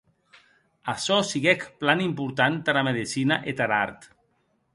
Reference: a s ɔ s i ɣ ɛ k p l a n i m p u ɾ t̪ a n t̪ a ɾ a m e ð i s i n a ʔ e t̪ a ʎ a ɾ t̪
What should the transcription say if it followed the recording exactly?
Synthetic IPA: a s ɔ s i ɣ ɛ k p l a n i m p u ɾ t̪ a n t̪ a ɾ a m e ð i s i n a ʔ e t̪ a ɾ a ɾ t̪